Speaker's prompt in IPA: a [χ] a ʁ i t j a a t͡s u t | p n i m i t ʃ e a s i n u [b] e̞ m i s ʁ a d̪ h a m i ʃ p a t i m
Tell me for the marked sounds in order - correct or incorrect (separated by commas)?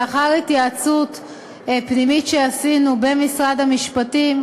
correct, correct